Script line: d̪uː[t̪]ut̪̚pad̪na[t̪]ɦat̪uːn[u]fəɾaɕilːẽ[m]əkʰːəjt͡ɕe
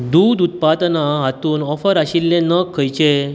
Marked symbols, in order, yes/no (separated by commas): no, no, no, no